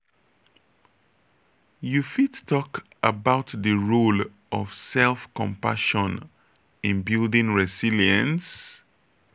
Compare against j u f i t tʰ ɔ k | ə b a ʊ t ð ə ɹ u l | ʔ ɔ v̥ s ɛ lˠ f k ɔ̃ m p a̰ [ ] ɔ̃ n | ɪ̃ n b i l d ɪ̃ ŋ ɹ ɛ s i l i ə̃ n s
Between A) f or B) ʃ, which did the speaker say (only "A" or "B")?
B